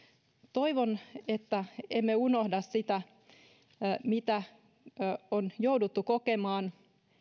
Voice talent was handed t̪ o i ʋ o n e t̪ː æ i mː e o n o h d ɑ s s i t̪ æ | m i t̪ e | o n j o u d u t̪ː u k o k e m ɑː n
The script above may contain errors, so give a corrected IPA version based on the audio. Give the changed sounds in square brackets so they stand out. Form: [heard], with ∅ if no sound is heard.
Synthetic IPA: t̪ o i ʋ o n e t̪ː æ [e] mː e [u] n o h d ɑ s s i t̪ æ | m i t̪ [æ] | o n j o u d u t̪ː u k o k e m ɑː n